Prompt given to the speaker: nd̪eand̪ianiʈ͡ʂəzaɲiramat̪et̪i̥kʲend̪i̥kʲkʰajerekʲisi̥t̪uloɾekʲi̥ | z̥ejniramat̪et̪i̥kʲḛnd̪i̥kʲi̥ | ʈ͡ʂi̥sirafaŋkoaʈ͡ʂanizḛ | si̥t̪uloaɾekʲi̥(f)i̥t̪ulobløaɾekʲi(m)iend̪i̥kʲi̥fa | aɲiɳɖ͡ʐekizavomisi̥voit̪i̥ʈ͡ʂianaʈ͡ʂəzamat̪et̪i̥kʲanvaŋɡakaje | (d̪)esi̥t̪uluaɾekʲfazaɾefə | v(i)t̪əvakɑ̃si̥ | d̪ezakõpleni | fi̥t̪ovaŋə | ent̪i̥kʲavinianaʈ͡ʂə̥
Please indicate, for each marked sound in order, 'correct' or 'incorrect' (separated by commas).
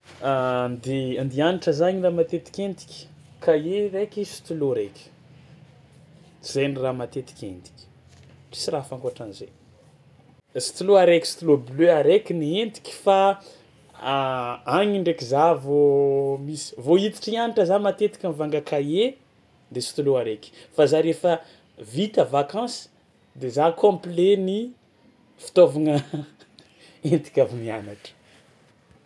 incorrect, incorrect, correct, correct